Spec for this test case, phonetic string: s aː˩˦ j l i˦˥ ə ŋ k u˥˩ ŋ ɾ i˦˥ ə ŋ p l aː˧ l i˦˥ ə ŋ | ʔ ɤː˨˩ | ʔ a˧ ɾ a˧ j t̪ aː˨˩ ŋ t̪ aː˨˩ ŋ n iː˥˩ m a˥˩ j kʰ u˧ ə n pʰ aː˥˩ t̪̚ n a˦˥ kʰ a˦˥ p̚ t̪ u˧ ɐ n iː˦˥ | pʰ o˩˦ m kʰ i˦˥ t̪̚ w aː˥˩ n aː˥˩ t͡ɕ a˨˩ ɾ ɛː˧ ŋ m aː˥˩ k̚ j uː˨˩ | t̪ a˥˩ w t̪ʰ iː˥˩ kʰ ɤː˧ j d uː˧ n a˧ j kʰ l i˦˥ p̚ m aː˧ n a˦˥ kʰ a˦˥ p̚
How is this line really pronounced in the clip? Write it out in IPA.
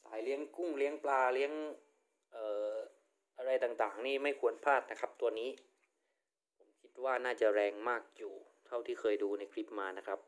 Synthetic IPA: s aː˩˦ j l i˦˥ ə ŋ k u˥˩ ŋ l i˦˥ ə ŋ p l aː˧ l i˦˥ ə ŋ | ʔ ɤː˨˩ | ʔ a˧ ɾ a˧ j t̪ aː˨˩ ŋ t̪ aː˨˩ ŋ n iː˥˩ m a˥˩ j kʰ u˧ ə n pʰ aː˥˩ t̪̚ n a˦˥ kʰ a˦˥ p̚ t̪ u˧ ɐ n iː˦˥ | pʰ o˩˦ m kʰ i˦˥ t̪̚ w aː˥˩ n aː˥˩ t͡ɕ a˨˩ ɾ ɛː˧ ŋ m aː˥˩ k̚ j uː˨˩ | t̪ʰ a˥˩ w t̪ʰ iː˥˩ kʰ ɤː˧ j d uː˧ n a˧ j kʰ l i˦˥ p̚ m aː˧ n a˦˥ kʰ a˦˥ p̚